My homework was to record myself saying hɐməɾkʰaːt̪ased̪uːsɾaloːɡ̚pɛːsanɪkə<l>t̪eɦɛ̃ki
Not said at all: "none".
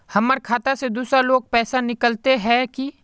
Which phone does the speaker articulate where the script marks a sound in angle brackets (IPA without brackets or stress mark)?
l